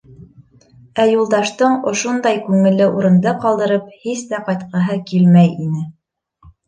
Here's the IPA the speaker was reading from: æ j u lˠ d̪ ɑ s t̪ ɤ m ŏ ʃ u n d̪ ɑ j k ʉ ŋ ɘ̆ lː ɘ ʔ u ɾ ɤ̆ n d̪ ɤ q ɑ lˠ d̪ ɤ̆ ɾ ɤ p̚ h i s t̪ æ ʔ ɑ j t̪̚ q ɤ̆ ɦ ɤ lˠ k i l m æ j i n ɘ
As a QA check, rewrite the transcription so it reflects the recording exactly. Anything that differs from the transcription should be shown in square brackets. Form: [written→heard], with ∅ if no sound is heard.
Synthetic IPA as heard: æ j u lˠ d̪ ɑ [s→ʃ] t̪ ɤ [m→ɴ] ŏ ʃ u n d̪ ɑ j k ʉ ŋ ɘ̆ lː ɘ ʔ u ɾ ɤ̆ n d̪ ɤ q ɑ lˠ d̪ ɤ̆ ɾ ɤ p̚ h i s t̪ æ [ʔ→q] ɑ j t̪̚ q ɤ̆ ɦ ɤ [lˠ→∅] k i l m æ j i n ɘ

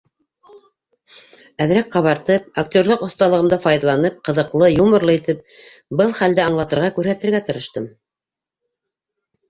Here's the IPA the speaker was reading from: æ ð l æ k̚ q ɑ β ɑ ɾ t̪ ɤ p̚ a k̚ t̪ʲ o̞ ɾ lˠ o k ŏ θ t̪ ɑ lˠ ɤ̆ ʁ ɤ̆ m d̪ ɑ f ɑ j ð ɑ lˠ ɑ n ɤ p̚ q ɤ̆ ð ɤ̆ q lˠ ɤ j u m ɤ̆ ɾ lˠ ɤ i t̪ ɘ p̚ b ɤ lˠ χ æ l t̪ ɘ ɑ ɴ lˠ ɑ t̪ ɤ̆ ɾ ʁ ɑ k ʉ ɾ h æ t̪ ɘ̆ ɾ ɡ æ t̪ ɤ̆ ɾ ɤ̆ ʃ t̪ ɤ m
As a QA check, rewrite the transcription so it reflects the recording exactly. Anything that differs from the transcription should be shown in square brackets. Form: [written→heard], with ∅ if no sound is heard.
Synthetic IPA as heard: æ ð [l→ɾ] æ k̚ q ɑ β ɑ ɾ t̪ ɤ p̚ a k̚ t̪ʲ o̞ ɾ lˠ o [k→q] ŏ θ t̪ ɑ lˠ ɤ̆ ʁ ɤ̆ m d̪ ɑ f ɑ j ð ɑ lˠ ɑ n ɤ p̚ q ɤ̆ ð ɤ̆ q lˠ ɤ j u m ɤ̆ ɾ lˠ ɤ i t̪ ɘ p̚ b ɤ lˠ χ æ l [t̪→d̪] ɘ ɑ ɴ lˠ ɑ t̪ ɤ̆ ɾ ʁ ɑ k ʉ ɾ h æ t̪ ɘ̆ ɾ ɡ æ t̪ ɤ̆ ɾ ɤ̆ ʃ t̪ ɤ m

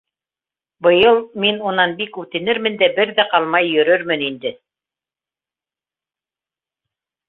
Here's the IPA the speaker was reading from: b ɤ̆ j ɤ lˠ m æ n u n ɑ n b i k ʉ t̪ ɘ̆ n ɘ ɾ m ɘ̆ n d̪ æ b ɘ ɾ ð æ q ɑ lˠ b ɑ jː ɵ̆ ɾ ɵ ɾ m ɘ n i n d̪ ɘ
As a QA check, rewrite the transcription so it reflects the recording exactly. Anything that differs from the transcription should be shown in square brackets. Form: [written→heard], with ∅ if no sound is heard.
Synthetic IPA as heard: b ɤ̆ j ɤ lˠ m [æ→i] n u n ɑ n b i k ʉ t̪ ɘ̆ n ɘ ɾ m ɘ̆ n d̪ æ b ɘ ɾ ð æ q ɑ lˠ [b→m] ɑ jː ɵ̆ ɾ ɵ ɾ m ɘ n i n d̪ ɘ

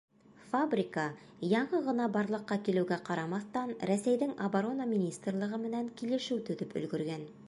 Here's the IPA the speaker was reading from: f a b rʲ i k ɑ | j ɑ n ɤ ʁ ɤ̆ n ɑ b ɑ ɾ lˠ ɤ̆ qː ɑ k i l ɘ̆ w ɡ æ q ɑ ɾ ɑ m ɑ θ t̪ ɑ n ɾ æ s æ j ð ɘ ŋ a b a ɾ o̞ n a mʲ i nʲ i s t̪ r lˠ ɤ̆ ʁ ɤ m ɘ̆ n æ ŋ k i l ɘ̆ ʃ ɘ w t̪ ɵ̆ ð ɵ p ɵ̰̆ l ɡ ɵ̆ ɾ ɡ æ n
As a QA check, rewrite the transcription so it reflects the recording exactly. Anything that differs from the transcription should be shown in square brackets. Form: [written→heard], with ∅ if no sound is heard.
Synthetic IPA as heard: f a b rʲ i k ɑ | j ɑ [n→ɴ] ɤ ʁ ɤ̆ n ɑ b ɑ ɾ lˠ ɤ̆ qː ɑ k i l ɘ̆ w ɡ æ q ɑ ɾ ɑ m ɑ θ t̪ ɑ n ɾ æ s æ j ð ɘ ŋ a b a ɾ o̞ n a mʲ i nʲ i s t̪ r lˠ ɤ̆ ʁ ɤ m ɘ̆ n æ ŋ k i l ɘ̆ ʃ ɘ w t̪ ɵ̆ ð ɵ p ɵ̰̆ l ɡ ɵ̆ ɾ ɡ æ n

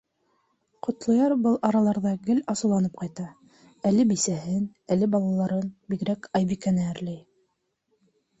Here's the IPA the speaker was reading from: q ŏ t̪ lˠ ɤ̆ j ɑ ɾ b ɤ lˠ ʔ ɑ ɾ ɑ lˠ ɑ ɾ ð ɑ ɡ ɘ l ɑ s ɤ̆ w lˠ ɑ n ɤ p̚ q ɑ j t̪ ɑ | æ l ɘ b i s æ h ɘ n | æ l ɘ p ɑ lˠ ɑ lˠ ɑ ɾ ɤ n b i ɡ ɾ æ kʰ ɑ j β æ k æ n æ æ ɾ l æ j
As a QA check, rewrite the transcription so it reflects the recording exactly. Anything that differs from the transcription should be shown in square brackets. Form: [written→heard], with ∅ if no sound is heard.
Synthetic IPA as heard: q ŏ t̪ lˠ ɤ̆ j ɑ ɾ b ɤ lˠ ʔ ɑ ɾ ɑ lˠ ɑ ɾ ð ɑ ɡ ɘ l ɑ s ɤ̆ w lˠ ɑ n ɤ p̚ q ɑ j t̪ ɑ | æ l ɘ b i s æ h ɘ n | æ l ɘ [p→b] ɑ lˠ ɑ lˠ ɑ ɾ ɤ n b i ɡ ɾ æ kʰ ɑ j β [æ→i] k æ n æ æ ɾ l æ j

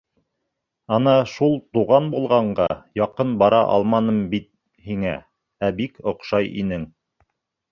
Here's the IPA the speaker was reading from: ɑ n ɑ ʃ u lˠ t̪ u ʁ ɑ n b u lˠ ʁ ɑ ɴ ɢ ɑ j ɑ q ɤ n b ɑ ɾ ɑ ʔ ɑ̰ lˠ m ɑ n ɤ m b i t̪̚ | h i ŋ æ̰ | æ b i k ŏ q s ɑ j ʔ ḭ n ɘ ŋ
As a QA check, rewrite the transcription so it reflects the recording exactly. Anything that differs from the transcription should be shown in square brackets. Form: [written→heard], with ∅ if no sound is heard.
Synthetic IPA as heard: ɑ n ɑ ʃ u lˠ t̪ u ʁ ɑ n b u lˠ ʁ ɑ ɴ ɢ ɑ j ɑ q ɤ n b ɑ ɾ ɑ ʔ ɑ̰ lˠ m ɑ n ɤ m b i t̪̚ | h i ŋ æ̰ | æ b i k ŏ q [s→ʃ] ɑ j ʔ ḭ n ɘ ŋ

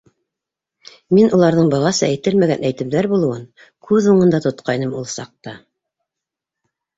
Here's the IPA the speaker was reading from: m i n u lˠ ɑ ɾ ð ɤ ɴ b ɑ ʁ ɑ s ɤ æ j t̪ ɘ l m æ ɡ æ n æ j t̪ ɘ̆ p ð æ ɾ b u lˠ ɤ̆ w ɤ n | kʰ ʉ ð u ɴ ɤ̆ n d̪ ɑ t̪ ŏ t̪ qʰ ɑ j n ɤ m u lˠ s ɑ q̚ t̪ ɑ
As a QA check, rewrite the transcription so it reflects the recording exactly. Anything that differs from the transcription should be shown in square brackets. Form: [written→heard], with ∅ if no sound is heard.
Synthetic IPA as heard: m i n u lˠ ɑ ɾ ð ɤ ɴ b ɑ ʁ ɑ s ɤ æ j t̪ ɘ l m æ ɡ æ n æ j t̪ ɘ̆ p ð æ ɾ b u lˠ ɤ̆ w ɤ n | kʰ ʉ ð u ɴ ɤ̆ n d̪ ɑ t̪ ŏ t̪ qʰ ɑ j n ɤ m u lˠ s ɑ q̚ t̪ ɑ

